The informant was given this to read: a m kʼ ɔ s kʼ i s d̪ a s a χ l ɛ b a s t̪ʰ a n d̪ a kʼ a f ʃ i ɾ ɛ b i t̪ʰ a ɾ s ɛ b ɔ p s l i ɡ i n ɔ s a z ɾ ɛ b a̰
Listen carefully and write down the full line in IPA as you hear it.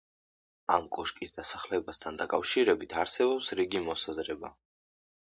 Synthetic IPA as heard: a m kʼ ɔ ʃ kʼ i s d̪ a s a χ l ɛ b a s t̪ʰ a n d̪ a kʼ a f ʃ i ɾ ɛ b i t̪ʰ a ɾ s ɛ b ɔ p s ɾ i ɡ i m ɔ s a z ɾ ɛ b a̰

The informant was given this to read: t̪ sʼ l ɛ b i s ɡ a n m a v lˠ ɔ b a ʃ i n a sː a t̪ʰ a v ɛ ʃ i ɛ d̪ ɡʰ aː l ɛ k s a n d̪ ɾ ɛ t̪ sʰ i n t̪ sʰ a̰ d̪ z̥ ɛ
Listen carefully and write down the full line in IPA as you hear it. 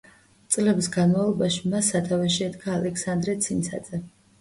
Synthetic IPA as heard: t̪ sʼ l ɛ b i s ɡ a n m a v lˠ ɔ b a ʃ i m a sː a t̪ʰ a v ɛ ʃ i ɛ d̪ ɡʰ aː l ɛ k s a n d̪ ɾ ɛ t̪ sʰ i n t̪ sʰ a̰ d̪ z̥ ɛ

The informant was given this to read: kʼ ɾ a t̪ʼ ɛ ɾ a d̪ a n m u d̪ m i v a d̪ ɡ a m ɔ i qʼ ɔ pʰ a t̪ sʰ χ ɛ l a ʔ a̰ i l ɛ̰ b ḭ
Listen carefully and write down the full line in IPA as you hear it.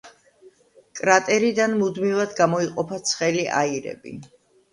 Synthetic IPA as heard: kʼ ɾ a t̪ʼ ɛ ɾ i d̪ a n m u d̪ m i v a d̪ ɡ a m ɔ i qʼ ɔ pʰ a t̪ sʰ χ ɛ l i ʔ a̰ i ɾ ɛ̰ b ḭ

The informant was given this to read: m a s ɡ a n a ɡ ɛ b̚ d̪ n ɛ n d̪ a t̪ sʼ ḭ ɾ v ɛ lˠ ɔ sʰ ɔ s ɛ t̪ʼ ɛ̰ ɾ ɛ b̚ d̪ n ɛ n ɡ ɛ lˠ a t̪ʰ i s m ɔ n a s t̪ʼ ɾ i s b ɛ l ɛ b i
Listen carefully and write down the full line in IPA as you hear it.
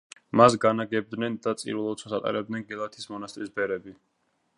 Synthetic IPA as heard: m a s ɡ a n a ɡ ɛ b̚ d̪ n ɛ n d̪ a t̪ sʼ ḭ ɾ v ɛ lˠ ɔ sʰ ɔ s a t̪ʼ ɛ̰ ɾ ɛ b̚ d̪ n ɛ n ɡ ɛ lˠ a t̪ʰ i s m ɔ n a s t̪ʼ ɾ i s b ɛ ɾ ɛ b i

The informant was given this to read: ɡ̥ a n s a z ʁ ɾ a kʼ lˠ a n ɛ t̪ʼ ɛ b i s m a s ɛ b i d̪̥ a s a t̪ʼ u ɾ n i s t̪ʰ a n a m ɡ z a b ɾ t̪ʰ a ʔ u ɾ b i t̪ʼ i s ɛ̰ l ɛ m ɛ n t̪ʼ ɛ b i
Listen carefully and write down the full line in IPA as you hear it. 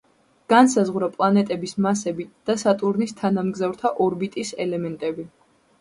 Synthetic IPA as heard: ɡ̥ a n s a z ʁ ɾ a pʼ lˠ a n ɛ t̪ʼ ɛ b i s m a s ɛ b i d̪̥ a s a t̪ʼ u ɾ n i s t̪ʰ a n a m ɡ z a v ɾ t̪ʰ a ʔ ɔ ɾ b i t̪ʼ i s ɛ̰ l ɛ m ɛ n t̪ʼ ɛ b i

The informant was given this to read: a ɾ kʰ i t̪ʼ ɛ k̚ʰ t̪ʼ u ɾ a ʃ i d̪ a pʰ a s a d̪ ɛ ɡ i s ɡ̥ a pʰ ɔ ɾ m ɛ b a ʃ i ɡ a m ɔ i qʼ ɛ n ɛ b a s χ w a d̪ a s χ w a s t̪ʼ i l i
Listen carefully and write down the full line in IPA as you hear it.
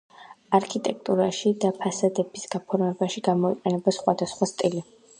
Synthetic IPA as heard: a ɾ kʰ i t̪ʼ ɛ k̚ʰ t̪ʼ u ɾ a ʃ i d̪ a pʰ a s a d̪ ɛ b i s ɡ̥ a pʰ ɔ ɾ m ɛ b a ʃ i ɡ a m ɔ i qʼ ɛ n ɛ b a s χ w a d̪ a s χ w a s t̪ʼ i l i

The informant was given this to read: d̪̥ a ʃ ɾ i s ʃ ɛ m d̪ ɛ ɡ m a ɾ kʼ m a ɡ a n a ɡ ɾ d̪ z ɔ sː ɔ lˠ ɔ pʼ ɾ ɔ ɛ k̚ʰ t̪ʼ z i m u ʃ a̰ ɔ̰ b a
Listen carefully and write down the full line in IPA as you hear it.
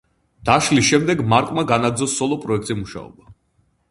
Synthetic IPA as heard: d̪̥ a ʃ l i s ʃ ɛ m d̪ ɛ ɡ m a ɾ kʼ m a ɡ a n a ɡ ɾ d̪ z ɔ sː ɔ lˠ ɔ pʼ ɾ ɔ ɛ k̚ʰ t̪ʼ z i m u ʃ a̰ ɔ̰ b a

